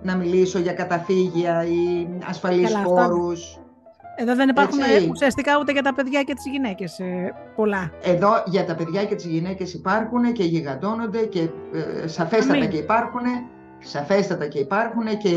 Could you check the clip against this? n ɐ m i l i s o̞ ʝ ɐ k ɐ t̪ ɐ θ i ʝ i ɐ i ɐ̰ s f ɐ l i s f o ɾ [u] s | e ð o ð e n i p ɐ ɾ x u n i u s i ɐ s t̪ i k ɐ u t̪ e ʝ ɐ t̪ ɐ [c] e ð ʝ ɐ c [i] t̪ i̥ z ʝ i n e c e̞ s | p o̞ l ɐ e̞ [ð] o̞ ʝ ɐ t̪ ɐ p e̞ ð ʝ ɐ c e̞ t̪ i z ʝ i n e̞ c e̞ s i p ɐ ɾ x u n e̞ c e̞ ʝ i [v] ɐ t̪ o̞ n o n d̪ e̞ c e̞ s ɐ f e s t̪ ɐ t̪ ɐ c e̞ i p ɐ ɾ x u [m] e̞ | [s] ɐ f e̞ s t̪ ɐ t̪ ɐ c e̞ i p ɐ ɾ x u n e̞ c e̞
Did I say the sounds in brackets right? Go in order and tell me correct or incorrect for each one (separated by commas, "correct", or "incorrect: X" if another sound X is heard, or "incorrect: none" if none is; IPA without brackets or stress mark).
correct, incorrect: p, incorrect: e, correct, incorrect: ɣ, incorrect: n, correct